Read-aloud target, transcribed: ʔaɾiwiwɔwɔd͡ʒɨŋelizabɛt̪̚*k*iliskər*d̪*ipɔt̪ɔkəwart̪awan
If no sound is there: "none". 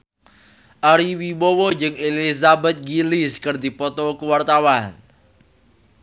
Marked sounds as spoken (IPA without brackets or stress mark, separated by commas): ɡ, d̪